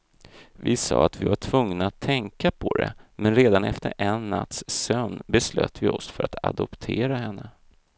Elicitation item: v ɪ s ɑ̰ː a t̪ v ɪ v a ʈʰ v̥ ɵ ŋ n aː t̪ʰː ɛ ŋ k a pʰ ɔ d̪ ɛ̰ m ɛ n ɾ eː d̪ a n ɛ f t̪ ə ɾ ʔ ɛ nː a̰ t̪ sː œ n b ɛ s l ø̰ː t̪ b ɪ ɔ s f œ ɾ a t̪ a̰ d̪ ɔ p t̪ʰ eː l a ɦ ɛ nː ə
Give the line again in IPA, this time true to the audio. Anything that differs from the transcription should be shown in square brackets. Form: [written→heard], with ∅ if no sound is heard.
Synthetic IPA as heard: v ɪ s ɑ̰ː a t̪ v ɪ v a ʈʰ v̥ ɵ ŋ n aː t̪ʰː ɛ ŋ k a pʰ ɔ d̪ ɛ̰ m ɛ n ɾ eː d̪ a n ɛ f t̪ ə ɾ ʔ ɛ nː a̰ t̪ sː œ n b ɛ s l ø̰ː t̪ [b→v] ɪ ɔ s f œ ɾ a t̪ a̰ d̪ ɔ p t̪ʰ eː [l→ɾ] a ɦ ɛ nː ə

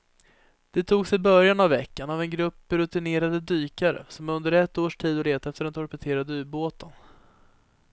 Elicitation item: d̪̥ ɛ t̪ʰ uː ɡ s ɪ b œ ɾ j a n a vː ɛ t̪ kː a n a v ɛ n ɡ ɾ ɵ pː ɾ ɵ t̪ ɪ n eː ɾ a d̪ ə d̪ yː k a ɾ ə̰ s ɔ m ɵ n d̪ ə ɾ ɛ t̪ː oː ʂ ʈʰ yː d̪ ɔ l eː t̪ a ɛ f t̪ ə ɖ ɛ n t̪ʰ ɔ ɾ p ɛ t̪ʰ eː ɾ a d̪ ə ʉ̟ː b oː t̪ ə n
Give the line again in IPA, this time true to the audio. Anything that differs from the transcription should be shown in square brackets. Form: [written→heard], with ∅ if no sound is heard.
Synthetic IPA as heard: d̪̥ ɛ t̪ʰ uː ɡ s ɪ b œ ɾ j a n a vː ɛ [t̪→∅] kː a n a v ɛ n ɡ ɾ ɵ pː ɾ ɵ t̪ ɪ n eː ɾ a d̪ ə d̪ yː k a ɾ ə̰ s ɔ m ɵ n d̪ ə ɾ ɛ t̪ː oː ʂ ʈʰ [yː→iː] d̪ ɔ l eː t̪ a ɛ f t̪ ə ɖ ɛ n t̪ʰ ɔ ɾ p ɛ t̪ʰ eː ɾ a d̪ ə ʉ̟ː b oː t̪ ə n

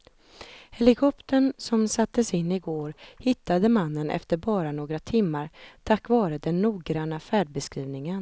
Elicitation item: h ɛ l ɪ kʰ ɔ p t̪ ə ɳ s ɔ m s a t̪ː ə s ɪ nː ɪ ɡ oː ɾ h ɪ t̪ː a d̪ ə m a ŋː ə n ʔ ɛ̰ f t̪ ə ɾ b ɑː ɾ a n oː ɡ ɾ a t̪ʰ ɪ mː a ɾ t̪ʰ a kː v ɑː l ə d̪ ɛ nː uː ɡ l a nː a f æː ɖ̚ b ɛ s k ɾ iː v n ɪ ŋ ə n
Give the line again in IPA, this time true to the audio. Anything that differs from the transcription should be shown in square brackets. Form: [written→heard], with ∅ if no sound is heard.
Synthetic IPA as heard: h ɛ l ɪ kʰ ɔ p t̪ ə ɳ s ɔ m s a t̪ː ə s ɪ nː ɪ ɡ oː ɾ h ɪ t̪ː a d̪ ə m a [ŋː→nː] ə n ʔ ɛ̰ f t̪ ə ɾ b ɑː ɾ a n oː ɡ ɾ a t̪ʰ ɪ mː a ɾ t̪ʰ a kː v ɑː [l→ɾ] ə d̪ ɛ nː uː ɡ [l→ɾ] a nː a f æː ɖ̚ b ɛ s k ɾ iː v n ɪ ŋ ə n

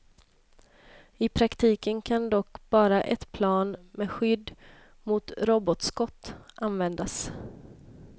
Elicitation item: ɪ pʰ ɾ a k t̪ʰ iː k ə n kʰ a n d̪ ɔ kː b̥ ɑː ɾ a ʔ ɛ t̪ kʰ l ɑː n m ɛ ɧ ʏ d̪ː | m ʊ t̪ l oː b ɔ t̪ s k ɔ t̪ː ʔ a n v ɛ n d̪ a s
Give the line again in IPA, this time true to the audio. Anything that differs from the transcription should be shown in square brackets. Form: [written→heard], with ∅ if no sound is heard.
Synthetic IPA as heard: ɪ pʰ ɾ a k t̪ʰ iː k ə n kʰ a n d̪ ɔ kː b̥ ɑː ɾ a ʔ ɛ t̪ [kʰ→pʰ] l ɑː n m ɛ ɧ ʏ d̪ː | m ʊ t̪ [l→ɾ] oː b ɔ t̪ s k ɔ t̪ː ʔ a n v ɛ n d̪ a s

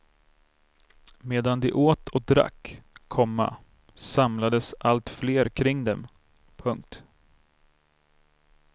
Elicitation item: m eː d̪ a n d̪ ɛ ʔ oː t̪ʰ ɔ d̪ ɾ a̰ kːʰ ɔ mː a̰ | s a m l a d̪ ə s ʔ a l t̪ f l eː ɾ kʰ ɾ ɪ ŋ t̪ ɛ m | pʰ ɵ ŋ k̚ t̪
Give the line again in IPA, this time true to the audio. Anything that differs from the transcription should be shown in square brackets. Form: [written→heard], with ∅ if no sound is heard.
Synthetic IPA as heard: m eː d̪ a n d̪ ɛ ʔ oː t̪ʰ ɔ d̪ ɾ a̰ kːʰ ɔ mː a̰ | s a m l a d̪ ə s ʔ a l t̪ f l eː ɾ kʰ ɾ ɪ ŋ [t̪→d̪] ɛ m | pʰ ɵ ŋ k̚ t̪

